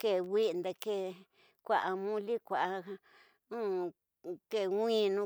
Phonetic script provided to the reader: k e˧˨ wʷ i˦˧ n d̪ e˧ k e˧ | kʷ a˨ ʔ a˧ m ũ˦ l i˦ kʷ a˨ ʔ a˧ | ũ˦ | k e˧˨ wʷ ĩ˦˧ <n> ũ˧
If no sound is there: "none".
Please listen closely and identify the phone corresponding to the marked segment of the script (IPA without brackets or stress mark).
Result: n